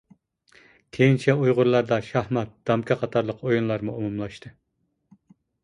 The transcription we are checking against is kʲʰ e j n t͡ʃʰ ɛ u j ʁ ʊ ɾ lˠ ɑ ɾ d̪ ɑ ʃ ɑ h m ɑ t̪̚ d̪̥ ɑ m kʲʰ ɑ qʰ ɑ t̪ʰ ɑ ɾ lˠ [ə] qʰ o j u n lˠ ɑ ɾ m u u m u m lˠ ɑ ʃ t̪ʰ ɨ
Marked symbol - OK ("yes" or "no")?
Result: yes